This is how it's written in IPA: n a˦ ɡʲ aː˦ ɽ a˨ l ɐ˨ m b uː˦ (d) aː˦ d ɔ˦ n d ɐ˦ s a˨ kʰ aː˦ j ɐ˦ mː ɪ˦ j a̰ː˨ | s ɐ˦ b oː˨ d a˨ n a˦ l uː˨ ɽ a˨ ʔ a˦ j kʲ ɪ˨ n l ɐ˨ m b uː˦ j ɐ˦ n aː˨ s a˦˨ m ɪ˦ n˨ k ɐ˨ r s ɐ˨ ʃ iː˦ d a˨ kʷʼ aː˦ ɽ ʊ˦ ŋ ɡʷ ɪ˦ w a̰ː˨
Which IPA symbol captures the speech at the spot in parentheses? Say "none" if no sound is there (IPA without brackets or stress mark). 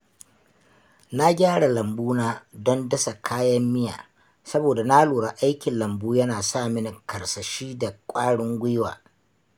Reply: n